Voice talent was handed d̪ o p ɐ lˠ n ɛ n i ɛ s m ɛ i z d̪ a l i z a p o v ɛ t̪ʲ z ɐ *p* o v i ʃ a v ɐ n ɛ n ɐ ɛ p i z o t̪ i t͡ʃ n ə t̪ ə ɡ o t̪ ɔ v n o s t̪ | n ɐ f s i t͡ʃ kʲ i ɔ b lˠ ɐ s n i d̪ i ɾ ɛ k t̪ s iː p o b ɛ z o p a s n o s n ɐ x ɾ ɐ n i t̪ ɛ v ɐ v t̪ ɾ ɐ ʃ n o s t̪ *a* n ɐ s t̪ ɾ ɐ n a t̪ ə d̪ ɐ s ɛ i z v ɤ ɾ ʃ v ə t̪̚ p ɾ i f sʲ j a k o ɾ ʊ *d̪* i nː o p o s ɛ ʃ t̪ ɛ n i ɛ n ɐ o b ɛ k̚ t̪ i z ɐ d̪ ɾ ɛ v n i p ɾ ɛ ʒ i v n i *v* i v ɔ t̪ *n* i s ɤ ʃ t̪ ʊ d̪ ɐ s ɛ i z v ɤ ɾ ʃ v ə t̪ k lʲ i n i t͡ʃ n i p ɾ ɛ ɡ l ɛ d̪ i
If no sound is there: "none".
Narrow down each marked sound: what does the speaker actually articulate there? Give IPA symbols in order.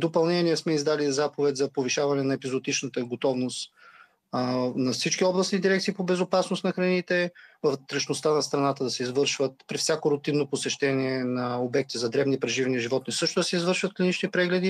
p, a, t̪, ʒ, n

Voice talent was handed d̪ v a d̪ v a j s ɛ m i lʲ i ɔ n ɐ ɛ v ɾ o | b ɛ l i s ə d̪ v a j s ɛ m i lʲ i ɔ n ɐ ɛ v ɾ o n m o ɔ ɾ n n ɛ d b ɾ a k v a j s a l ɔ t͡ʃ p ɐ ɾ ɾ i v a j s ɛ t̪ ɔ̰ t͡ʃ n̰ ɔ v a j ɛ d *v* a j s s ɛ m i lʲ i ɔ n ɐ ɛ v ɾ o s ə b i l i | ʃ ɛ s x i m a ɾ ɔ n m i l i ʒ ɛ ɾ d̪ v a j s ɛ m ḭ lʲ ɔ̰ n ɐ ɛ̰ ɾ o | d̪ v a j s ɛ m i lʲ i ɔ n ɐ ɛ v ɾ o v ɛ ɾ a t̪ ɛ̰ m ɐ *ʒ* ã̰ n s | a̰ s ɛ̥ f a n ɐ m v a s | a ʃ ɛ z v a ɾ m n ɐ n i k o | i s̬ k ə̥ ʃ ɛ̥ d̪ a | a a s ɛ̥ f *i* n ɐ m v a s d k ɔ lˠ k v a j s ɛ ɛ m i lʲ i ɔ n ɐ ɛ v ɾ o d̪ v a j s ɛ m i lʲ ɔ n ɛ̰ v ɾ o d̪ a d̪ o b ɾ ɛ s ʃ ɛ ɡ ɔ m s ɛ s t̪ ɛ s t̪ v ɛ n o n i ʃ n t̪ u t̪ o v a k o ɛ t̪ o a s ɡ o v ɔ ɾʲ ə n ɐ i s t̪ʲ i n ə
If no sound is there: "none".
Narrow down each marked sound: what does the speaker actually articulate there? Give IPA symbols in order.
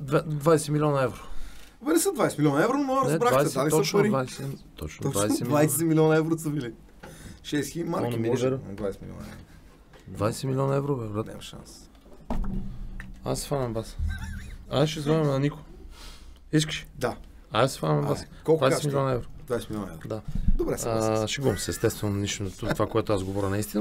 v, ʃ, a

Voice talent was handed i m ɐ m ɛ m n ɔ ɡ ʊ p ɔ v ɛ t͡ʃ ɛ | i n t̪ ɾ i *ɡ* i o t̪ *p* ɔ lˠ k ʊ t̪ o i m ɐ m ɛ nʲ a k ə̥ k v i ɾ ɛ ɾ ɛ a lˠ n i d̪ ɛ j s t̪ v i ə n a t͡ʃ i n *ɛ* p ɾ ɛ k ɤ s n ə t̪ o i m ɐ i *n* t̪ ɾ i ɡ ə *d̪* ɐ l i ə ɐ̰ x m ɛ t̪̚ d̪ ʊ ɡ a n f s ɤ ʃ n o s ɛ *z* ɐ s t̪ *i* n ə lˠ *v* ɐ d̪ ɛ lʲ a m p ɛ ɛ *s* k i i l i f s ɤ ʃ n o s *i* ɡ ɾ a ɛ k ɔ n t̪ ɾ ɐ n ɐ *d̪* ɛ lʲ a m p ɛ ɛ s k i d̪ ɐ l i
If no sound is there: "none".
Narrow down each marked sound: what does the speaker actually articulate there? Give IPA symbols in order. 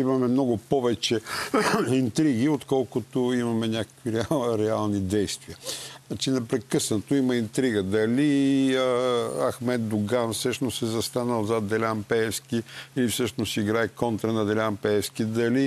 ɡ, k, ɛ, n, d̪, z, a, z, s, i, d̪

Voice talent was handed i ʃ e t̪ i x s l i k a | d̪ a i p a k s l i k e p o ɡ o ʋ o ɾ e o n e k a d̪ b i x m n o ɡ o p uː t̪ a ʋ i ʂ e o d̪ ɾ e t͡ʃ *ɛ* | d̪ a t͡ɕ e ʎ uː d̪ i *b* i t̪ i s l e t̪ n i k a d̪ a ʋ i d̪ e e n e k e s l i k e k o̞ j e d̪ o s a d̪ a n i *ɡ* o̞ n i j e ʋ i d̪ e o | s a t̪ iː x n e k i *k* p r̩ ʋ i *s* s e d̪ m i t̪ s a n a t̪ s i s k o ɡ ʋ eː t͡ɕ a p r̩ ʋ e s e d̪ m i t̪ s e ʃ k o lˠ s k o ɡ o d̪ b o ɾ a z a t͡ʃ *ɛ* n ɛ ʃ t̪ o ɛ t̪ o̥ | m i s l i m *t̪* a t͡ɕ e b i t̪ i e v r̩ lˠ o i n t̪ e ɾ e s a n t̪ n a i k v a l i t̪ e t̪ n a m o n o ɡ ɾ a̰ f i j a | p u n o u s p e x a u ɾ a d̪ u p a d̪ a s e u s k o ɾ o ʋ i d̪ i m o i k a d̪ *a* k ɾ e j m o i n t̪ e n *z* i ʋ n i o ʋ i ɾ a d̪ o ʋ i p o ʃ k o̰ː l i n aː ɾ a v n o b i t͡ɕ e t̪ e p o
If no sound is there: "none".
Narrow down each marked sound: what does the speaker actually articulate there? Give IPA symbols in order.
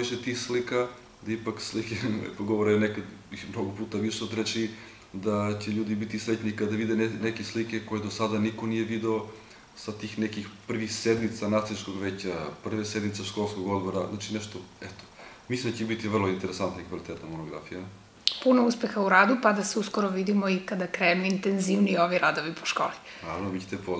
i, b, k, x, x, i, d̪, a, z

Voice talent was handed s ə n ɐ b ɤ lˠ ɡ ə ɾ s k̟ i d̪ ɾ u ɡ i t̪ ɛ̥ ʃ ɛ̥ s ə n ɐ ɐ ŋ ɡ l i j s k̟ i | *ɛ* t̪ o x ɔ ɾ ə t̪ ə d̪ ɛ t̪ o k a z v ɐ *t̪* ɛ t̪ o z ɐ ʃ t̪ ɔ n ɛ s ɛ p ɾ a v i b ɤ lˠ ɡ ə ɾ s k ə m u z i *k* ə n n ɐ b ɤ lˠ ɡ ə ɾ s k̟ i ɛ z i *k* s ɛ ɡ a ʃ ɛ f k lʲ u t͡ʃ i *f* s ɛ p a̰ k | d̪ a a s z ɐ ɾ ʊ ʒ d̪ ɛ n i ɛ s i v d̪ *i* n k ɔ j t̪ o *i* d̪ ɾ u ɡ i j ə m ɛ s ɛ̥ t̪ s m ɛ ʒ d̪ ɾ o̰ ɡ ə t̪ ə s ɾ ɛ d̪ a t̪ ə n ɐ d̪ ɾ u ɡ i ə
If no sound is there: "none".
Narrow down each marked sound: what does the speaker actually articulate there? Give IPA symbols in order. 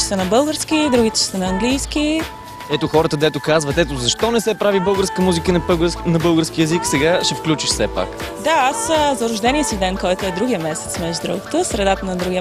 ɛ, t̪, k, k, ʃ, ɛ, ɛ

